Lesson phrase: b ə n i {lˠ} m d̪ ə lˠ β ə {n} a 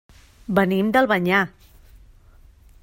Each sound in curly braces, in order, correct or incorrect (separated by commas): incorrect, incorrect